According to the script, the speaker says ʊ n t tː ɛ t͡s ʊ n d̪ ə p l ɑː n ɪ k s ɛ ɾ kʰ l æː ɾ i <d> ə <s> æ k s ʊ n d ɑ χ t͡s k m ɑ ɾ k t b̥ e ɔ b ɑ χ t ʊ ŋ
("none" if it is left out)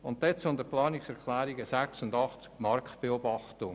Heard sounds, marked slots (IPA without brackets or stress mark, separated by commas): ɡ, s